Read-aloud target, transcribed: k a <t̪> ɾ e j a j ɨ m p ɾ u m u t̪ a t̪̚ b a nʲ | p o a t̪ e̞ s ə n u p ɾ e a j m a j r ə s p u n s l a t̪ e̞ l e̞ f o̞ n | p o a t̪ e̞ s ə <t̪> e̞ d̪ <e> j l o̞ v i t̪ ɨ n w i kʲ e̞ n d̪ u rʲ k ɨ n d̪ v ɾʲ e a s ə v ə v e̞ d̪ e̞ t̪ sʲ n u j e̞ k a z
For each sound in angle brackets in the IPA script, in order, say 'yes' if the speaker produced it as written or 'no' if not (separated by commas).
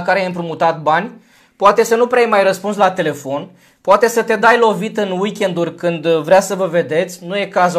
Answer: no, yes, no